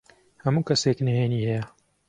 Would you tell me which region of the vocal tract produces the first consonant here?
throat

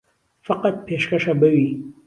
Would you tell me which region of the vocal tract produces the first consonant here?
lips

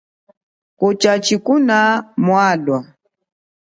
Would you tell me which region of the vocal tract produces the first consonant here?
velum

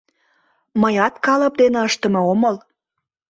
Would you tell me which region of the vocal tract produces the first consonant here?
lips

